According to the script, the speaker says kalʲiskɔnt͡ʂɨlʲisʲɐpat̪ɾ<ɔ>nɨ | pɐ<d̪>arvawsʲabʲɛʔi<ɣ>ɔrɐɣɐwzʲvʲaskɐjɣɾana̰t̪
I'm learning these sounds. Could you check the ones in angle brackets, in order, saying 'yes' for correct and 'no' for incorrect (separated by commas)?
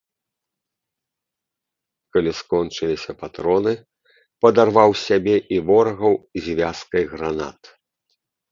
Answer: yes, yes, no